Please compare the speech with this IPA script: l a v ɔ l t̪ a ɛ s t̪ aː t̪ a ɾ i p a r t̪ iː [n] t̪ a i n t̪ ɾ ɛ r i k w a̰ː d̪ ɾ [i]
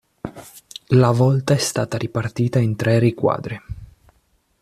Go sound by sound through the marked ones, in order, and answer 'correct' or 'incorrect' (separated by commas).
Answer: incorrect, correct